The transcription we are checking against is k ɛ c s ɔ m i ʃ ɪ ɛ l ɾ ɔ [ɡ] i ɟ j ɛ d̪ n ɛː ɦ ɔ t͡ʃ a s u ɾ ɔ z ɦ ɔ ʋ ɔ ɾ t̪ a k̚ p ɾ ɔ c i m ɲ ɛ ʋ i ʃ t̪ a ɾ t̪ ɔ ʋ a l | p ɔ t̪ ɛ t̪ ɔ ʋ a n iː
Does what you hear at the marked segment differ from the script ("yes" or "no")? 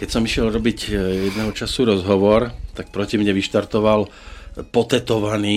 yes